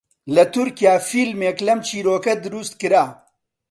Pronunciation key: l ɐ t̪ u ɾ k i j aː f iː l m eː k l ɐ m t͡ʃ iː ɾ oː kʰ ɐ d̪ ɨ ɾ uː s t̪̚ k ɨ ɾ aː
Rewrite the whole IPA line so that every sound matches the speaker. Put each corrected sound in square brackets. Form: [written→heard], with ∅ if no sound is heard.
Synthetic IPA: l ɐ t̪ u ɾ k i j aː f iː l m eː k l ɐ m t͡ʃ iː ɾ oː [kʰ→k] ɐ d̪ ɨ ɾ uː s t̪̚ k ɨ ɾ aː